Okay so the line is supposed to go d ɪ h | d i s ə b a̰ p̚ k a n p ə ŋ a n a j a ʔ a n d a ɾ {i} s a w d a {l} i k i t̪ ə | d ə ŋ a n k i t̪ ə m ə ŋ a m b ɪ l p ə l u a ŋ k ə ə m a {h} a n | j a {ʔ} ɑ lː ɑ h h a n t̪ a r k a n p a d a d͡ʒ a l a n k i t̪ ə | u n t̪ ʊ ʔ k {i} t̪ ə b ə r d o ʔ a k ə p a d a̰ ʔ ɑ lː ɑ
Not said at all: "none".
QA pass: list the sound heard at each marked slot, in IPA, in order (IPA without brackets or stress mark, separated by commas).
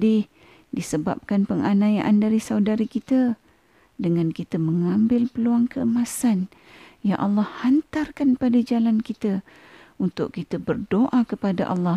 i, ɾ, s, ʔ, i